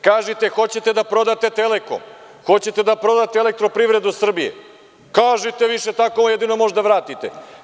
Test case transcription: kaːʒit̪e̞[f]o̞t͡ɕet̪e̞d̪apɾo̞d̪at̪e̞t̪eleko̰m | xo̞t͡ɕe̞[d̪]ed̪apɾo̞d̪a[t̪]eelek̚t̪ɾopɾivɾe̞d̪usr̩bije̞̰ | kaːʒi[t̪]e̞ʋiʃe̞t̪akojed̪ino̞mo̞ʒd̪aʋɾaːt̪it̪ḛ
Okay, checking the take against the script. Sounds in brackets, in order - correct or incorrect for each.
incorrect, incorrect, correct, correct

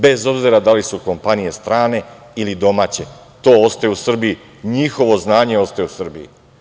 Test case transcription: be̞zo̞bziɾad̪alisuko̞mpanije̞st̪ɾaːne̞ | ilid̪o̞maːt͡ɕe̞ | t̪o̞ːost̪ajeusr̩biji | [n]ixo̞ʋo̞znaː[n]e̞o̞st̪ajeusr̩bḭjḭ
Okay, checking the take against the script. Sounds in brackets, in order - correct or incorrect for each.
incorrect, incorrect

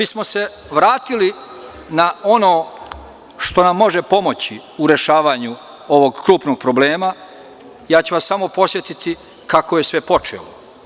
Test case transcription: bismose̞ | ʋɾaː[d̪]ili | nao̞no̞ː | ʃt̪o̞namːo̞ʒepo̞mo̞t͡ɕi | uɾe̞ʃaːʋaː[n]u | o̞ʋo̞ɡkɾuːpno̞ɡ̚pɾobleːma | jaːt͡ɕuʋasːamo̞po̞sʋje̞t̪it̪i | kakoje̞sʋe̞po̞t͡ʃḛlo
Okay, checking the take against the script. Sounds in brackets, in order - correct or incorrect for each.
incorrect, incorrect

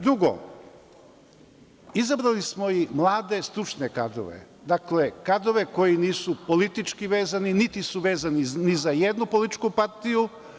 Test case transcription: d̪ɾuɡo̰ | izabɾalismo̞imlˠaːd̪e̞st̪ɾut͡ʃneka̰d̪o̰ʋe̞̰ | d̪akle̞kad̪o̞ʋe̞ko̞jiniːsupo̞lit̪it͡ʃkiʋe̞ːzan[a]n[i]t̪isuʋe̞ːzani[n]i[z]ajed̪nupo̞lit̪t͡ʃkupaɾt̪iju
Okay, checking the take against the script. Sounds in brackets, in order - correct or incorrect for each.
incorrect, correct, correct, correct

